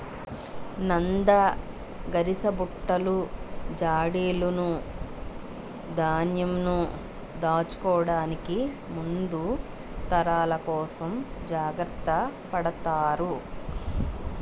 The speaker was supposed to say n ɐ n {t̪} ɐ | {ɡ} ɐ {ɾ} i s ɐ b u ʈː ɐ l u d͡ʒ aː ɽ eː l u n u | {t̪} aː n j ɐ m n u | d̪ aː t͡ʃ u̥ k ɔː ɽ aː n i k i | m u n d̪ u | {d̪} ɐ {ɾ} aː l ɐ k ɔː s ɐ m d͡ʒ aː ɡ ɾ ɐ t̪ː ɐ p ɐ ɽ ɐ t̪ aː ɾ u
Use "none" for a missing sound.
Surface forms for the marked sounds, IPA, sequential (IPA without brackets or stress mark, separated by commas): d̪, ɡ, ɾ, d̪, t̪, ɾ